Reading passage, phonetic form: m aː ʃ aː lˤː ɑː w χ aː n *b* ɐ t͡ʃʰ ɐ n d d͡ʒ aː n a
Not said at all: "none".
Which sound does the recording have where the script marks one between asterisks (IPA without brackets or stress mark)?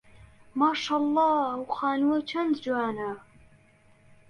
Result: w